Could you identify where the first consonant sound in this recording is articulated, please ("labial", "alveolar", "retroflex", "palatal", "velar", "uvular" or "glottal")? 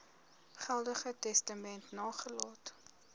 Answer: uvular